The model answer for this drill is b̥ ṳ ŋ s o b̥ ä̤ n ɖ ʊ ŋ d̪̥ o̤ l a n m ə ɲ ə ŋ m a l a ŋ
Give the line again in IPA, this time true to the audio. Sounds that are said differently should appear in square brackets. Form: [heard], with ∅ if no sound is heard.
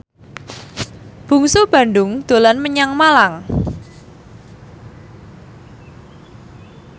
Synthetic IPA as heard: b̥ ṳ ŋ s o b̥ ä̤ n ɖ ʊ ŋ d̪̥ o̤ l a n m ə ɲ [a] ŋ m a l a ŋ